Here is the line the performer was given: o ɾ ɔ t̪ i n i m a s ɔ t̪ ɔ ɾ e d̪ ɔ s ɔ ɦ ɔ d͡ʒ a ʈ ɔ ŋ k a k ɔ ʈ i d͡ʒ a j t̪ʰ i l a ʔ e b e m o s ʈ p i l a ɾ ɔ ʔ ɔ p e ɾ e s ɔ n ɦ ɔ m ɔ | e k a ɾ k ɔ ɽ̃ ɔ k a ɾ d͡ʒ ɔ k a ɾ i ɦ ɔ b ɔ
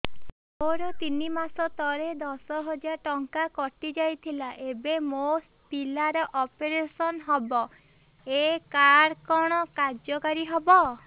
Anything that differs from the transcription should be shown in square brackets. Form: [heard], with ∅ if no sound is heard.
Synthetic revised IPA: o ɾ ɔ t̪ i n i m a s ɔ t̪ ɔ ɾ e d̪ ɔ s ɔ ɦ ɔ d͡ʒ a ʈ ɔ ŋ k a k ɔ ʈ i d͡ʒ a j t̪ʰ i l a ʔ e b e m o s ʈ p i l a ɾ ɔ ʔ ɔ p e ɾ e s ɔ n ɦ ɔ [b] ɔ | e k a ɾ k ɔ ɽ̃ ɔ k a ɾ d͡ʒ ɔ k a ɾ i ɦ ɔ b ɔ